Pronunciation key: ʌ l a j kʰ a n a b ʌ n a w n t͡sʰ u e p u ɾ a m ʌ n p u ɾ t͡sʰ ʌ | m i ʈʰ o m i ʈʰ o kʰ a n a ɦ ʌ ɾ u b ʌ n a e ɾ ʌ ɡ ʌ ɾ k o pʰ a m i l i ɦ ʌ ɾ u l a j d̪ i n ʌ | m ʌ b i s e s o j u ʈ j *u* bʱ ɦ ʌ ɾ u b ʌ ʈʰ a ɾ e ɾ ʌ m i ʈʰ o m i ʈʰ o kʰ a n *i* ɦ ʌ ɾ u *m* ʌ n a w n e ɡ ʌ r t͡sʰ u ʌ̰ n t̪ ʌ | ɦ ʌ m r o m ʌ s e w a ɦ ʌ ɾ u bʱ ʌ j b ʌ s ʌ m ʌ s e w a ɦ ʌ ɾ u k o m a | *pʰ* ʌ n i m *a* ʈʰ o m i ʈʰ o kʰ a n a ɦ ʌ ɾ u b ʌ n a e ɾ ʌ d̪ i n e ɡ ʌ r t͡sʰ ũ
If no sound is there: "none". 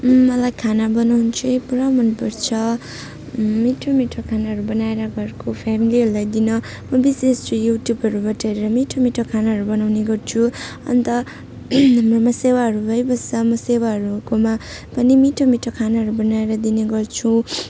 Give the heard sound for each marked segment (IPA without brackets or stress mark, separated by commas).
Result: u, a, b, p, i